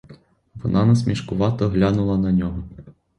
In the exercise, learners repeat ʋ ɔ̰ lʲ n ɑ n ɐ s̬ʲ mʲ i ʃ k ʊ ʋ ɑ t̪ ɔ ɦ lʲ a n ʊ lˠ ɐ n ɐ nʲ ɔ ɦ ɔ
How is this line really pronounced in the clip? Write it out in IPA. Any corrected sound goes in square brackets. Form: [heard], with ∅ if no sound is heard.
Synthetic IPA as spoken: ʋ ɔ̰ [∅] n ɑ n ɐ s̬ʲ mʲ i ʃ k ʊ ʋ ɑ t̪ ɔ ɦ lʲ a n ʊ lˠ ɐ n ɐ nʲ ɔ ɦ ɔ